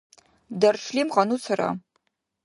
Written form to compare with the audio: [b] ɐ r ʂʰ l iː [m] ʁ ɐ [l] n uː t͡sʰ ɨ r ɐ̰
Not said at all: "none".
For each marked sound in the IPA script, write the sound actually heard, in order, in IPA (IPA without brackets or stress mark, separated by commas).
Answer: d, m, none